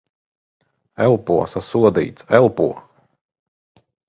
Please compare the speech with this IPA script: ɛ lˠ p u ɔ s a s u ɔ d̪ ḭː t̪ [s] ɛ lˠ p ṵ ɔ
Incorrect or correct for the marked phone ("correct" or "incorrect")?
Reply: correct